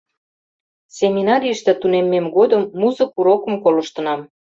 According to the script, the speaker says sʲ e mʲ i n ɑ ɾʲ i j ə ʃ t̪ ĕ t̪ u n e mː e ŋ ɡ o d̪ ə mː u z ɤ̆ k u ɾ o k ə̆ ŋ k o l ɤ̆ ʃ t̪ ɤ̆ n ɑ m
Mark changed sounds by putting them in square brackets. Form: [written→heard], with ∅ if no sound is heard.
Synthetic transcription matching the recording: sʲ e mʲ i n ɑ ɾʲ i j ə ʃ t̪ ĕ t̪ u n e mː e [ŋ→m] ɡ o d̪ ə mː u z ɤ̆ k u ɾ o k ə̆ [ŋ→m] k o l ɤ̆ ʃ t̪ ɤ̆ n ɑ m